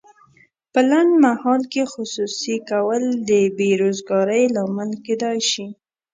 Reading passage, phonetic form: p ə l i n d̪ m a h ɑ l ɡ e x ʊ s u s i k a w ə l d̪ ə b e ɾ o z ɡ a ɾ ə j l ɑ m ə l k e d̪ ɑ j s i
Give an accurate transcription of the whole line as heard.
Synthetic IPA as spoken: p ə l a n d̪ m a h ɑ l k e x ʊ s u s i k a w ə l d̪ ə b e ɾ o z ɡ ɑ ɾ ə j l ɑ m ə l k e d̪ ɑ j ʃ i